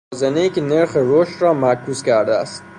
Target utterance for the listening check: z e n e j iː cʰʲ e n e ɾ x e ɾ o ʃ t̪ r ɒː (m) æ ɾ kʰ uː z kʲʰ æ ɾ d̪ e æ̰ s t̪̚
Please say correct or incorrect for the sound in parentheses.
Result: correct